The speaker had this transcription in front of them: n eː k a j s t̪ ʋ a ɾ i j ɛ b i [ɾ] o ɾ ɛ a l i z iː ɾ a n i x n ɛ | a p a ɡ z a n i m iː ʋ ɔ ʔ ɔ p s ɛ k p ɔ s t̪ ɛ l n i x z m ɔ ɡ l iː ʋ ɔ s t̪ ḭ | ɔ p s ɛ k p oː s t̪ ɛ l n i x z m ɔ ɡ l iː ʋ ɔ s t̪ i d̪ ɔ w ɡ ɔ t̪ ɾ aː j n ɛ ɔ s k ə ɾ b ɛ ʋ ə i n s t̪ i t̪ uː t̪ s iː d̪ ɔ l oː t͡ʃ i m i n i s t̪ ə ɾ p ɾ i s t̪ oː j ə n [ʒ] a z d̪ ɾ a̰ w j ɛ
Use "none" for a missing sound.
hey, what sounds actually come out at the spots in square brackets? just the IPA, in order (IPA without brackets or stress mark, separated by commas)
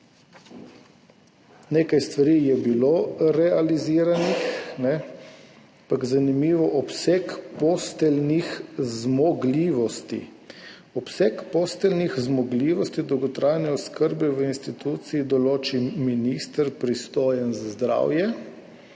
l, z